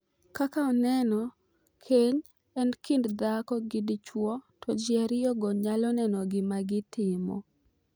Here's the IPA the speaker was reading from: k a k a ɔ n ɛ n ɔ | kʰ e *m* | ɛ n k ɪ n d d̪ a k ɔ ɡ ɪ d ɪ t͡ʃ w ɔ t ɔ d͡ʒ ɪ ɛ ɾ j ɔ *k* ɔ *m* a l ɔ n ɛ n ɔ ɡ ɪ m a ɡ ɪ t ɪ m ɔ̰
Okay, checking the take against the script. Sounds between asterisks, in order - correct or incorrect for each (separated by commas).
incorrect, incorrect, incorrect